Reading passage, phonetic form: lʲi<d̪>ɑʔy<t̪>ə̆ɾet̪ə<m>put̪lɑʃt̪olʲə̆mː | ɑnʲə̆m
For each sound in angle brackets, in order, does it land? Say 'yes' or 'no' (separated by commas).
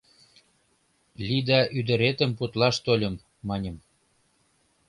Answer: yes, no, yes